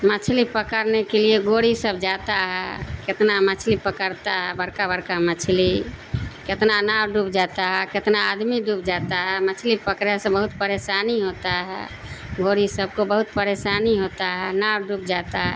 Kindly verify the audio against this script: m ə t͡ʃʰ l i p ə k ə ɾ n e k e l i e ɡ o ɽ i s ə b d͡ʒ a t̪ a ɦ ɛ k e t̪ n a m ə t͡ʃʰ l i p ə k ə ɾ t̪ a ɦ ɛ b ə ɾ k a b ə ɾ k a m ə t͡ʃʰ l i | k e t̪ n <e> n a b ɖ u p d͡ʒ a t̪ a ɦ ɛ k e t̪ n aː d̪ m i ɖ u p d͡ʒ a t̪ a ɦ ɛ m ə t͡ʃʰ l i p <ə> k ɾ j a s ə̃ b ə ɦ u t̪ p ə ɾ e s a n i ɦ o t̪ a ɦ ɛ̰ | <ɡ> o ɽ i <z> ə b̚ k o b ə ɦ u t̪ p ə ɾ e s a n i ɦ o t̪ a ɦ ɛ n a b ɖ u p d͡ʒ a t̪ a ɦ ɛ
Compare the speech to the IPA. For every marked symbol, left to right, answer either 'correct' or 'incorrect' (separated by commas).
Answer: incorrect, correct, correct, incorrect